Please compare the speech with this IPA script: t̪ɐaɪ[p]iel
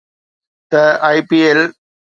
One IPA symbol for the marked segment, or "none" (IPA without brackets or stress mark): p